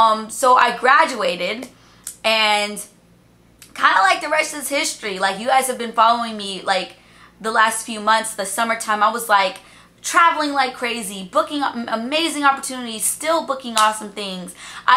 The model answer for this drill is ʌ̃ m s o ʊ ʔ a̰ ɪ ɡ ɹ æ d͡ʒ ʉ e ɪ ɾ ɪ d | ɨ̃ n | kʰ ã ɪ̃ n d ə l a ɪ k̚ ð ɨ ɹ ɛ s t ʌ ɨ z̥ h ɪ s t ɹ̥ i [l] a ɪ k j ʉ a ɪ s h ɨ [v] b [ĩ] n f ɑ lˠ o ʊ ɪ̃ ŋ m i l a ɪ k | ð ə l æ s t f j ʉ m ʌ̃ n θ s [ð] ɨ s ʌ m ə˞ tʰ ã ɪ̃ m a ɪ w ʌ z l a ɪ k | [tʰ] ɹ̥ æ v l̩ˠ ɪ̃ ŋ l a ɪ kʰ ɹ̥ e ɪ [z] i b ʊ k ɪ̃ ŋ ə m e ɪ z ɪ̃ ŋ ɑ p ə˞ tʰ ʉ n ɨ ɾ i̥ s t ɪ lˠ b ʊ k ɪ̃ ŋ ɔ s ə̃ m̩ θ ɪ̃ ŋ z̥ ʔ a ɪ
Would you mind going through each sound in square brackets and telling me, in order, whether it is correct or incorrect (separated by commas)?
correct, correct, incorrect, correct, correct, correct